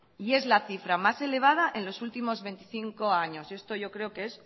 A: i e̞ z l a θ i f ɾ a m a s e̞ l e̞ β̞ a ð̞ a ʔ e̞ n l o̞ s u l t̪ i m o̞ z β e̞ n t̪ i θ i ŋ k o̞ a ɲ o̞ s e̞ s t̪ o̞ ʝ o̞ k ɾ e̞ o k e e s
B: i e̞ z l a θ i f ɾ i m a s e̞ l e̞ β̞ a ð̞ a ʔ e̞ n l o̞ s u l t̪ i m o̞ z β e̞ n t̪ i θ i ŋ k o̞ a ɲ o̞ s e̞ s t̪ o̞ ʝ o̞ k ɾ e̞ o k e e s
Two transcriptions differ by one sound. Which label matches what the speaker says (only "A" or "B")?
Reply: A